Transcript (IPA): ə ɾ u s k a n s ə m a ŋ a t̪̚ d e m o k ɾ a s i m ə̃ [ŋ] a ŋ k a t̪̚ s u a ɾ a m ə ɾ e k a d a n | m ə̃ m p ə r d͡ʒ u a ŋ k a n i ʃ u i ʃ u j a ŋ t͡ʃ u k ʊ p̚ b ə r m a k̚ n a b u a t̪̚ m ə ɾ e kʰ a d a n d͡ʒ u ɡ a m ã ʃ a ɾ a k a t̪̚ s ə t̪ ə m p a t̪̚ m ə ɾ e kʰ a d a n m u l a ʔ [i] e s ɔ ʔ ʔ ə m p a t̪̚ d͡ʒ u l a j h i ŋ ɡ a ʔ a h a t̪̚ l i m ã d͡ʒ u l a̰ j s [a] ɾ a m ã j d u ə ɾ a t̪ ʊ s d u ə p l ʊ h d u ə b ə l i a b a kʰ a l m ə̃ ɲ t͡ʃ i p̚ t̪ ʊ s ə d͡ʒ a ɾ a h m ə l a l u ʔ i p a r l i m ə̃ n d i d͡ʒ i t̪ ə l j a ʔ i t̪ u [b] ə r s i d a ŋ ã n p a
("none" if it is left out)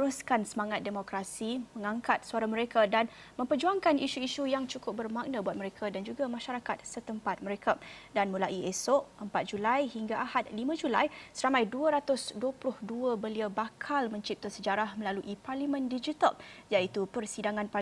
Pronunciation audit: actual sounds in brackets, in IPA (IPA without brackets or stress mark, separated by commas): ŋ, i, ə, p